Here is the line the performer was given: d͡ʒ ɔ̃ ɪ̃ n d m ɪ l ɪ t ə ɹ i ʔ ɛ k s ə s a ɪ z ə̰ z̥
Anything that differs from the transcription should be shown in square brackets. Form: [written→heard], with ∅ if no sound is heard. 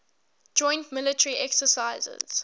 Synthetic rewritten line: d͡ʒ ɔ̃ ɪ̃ n [d→t] m ɪ l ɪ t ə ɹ i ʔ ɛ k s ə s a ɪ z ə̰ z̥